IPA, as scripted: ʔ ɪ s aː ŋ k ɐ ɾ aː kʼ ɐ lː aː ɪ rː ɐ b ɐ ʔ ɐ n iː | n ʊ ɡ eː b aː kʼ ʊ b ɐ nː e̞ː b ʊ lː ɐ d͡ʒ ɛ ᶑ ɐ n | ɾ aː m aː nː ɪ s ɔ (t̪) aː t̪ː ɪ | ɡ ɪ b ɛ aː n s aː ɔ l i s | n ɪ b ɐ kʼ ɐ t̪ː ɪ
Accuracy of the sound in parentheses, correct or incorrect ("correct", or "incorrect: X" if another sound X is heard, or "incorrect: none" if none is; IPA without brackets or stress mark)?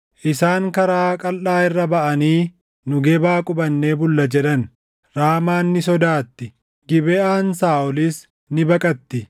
incorrect: d̪